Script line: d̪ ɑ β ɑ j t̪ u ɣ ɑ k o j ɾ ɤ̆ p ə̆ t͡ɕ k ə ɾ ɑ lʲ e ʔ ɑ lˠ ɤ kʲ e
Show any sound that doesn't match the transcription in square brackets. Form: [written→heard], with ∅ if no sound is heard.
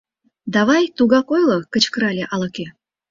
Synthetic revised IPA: d̪ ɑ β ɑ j t̪ u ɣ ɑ k o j [ɾ→l] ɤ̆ [p→k] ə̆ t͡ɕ k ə ɾ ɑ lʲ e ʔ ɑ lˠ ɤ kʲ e